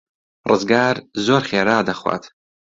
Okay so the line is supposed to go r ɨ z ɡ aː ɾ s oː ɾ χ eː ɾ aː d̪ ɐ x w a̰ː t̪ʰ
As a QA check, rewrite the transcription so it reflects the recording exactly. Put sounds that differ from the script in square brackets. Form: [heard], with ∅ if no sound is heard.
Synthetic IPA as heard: r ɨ z ɡ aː ɾ [z] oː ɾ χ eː ɾ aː d̪ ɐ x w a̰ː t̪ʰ